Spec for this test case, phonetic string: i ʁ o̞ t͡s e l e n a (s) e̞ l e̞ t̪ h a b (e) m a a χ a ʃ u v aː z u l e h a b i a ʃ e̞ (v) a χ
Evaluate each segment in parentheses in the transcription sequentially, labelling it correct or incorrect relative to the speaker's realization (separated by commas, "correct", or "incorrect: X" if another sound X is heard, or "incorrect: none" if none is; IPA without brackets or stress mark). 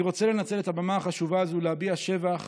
incorrect: t͡s, incorrect: a, correct